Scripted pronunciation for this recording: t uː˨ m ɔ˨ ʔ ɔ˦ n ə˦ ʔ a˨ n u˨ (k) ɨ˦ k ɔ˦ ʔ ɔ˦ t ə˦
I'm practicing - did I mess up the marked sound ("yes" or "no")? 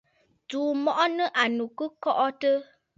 no